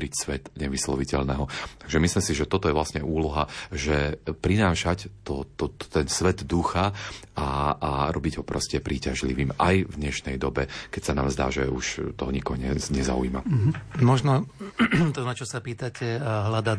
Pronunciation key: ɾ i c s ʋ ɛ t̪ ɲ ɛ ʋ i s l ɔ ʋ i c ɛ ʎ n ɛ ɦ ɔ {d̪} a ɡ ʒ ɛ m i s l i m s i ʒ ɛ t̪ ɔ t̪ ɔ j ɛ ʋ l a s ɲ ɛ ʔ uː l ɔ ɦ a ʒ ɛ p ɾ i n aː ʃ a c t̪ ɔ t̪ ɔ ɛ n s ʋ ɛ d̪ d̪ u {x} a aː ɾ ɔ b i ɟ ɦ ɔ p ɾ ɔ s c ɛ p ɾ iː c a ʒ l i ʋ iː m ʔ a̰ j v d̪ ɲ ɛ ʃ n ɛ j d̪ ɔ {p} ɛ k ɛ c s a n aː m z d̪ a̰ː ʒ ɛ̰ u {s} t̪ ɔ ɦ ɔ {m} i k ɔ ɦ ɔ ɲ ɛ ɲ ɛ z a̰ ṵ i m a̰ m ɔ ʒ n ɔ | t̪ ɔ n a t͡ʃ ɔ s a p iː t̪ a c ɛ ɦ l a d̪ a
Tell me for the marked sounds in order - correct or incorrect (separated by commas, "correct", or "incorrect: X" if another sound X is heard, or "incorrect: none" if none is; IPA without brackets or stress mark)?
incorrect: t̪, correct, incorrect: b, incorrect: ʃ, incorrect: ɲ